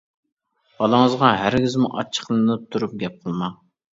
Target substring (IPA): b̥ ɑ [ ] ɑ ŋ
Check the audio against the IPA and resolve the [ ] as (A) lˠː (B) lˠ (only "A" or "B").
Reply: B